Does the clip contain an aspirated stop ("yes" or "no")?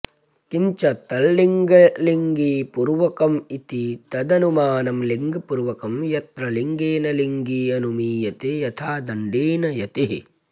yes